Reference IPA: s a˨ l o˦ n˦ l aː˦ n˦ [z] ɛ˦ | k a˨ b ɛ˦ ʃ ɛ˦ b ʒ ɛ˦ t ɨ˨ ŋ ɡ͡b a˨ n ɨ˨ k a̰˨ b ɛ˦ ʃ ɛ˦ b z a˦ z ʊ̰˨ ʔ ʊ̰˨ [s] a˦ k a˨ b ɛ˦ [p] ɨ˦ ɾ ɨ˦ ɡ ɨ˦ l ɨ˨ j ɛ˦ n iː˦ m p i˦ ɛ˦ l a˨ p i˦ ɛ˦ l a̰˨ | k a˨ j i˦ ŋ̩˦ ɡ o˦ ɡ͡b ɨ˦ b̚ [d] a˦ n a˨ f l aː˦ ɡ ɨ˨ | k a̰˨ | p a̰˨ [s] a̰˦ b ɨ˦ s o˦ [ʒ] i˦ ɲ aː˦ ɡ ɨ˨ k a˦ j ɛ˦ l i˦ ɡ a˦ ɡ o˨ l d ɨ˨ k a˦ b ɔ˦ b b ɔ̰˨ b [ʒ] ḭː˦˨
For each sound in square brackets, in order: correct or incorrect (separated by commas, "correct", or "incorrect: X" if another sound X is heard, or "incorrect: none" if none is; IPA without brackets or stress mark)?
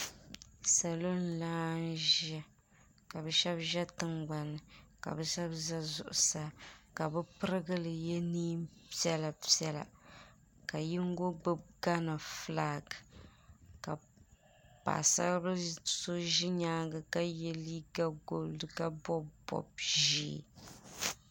incorrect: ʒ, correct, correct, incorrect: ɡ, correct, correct, correct